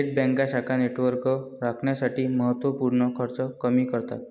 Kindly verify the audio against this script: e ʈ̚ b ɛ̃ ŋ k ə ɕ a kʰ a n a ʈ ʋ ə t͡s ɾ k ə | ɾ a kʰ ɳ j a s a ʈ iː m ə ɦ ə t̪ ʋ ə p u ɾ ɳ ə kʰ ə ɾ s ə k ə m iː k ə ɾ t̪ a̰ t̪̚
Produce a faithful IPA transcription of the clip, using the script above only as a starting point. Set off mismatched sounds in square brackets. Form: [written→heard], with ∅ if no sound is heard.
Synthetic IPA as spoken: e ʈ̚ b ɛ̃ ŋ k [ə→a] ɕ a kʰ a n [a→e] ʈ ʋ ə [t͡s→∅] ɾ k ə | ɾ a kʰ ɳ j a s a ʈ iː m ə ɦ ə t̪ ʋ ə p u ɾ ɳ ə kʰ ə ɾ [s→t͡s] ə k ə m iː k ə ɾ t̪ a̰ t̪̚